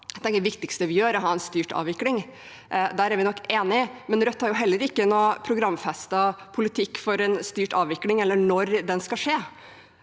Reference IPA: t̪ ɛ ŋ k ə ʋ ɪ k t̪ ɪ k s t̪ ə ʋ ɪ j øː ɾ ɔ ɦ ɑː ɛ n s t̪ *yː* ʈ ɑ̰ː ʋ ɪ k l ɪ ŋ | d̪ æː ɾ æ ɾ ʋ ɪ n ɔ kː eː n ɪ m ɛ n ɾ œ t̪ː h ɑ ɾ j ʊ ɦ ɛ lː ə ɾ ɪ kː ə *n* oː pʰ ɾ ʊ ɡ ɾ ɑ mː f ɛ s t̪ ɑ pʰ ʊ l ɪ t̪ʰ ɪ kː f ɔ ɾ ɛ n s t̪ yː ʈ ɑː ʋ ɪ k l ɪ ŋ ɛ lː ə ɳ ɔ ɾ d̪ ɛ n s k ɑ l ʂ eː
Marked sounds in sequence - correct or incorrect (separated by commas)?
correct, correct